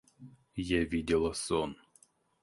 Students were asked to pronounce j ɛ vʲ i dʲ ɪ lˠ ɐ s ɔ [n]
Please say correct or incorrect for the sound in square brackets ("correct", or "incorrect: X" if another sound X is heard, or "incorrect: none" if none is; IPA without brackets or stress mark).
correct